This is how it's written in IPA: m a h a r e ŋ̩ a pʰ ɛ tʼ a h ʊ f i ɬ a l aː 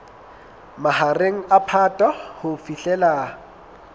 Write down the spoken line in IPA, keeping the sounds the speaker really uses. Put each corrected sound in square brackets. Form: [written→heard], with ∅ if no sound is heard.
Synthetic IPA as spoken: m a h a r e ŋ̩ a pʰ [ɛ→a] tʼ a h ʊ f i ɬ [a→ɛ] l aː